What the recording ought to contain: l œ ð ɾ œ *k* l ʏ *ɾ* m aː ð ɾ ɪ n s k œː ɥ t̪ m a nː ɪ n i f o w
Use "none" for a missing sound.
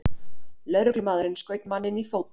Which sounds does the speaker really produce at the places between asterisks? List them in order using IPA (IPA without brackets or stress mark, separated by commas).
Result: k, none